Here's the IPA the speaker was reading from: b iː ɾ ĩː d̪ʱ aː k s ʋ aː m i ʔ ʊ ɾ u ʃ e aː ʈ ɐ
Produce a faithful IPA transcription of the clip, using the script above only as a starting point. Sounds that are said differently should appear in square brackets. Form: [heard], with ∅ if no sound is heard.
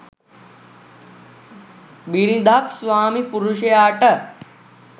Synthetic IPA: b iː ɾ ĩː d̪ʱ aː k s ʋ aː m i [p] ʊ ɾ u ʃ e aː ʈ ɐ